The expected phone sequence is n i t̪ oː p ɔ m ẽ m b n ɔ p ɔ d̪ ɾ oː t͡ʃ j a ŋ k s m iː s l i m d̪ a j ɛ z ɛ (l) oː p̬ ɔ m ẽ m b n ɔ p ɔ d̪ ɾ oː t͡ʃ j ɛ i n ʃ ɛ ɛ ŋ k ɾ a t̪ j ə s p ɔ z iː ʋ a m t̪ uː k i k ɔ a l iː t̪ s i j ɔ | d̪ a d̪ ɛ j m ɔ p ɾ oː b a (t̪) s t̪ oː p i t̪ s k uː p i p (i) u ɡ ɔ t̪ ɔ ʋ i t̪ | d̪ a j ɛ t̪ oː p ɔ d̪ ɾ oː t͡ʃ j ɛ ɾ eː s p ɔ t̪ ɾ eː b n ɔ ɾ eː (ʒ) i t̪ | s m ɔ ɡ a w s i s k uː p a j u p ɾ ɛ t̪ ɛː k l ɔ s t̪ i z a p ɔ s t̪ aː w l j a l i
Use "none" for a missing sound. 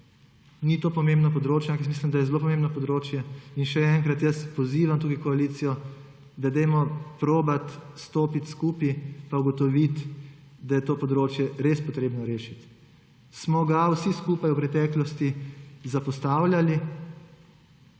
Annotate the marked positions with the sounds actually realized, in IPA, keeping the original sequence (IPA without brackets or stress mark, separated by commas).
l, t̪, a, ʃ